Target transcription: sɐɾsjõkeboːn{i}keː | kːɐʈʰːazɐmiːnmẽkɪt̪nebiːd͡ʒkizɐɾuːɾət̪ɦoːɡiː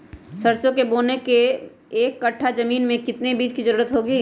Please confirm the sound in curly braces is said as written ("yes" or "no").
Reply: no